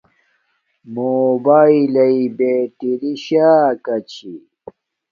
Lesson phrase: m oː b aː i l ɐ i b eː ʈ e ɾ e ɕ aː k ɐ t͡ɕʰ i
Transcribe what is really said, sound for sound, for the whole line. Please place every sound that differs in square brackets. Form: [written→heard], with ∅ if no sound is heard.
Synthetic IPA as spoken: m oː b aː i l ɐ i b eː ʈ [e→i] ɾ [e→i] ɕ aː k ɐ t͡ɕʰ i